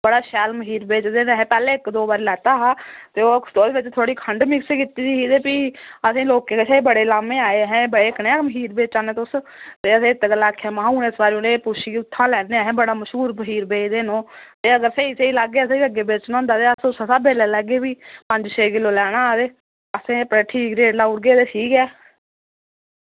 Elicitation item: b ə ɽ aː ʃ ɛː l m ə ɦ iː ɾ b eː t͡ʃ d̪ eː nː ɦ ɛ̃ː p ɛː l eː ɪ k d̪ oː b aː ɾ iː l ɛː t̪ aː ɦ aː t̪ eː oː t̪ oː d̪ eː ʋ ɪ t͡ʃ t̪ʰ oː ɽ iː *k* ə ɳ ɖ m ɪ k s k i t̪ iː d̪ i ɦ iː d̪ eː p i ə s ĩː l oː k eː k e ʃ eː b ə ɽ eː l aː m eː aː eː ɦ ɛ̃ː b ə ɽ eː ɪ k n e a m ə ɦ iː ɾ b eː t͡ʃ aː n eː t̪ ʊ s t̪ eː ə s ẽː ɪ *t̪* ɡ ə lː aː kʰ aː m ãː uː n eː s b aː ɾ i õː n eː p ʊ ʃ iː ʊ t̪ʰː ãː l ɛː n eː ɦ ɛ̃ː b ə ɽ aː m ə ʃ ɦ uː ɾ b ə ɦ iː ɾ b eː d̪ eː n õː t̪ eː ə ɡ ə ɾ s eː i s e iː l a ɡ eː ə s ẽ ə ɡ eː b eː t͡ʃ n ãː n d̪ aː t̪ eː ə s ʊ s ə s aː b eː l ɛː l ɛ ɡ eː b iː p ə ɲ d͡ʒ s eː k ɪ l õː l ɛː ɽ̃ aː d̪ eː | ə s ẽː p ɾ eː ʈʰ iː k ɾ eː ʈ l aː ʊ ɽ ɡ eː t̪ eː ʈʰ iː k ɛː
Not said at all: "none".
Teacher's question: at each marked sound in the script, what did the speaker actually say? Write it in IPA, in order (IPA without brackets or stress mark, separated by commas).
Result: kʰ, t̪